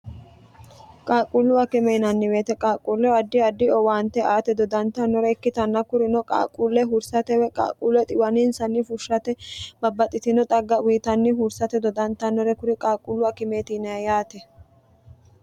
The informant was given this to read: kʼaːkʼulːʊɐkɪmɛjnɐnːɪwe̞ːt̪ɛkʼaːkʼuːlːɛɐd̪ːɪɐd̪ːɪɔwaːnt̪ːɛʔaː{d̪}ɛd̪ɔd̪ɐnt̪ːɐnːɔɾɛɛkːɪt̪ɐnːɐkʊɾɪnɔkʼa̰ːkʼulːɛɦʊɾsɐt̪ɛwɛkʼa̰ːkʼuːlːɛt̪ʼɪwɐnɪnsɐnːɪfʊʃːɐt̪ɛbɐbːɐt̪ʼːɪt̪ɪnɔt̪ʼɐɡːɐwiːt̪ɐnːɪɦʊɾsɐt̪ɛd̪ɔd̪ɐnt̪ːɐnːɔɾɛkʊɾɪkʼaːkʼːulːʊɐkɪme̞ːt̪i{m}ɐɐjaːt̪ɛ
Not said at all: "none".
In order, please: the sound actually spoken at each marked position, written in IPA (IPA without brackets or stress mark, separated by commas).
t̪, n